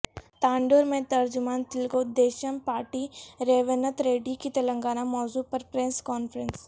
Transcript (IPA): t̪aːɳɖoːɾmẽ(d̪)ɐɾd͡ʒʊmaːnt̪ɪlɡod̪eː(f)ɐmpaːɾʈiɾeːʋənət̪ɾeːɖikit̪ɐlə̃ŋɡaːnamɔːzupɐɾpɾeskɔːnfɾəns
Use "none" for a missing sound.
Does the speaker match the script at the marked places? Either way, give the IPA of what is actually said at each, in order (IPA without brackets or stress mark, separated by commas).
t̪, ʃ